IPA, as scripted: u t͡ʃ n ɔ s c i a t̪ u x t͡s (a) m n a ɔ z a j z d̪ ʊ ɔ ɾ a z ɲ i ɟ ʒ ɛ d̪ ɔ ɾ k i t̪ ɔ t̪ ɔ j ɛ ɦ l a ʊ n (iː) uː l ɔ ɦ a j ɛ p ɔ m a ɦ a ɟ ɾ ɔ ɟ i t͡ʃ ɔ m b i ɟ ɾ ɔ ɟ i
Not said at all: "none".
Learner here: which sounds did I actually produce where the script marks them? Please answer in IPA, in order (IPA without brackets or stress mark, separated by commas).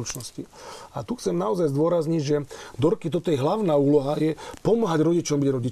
ɛ, aː